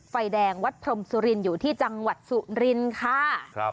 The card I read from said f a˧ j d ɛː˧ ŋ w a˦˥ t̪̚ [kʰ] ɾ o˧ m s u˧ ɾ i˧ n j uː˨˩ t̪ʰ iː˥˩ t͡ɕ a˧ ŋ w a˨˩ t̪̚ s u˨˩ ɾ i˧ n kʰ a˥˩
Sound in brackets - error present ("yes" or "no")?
yes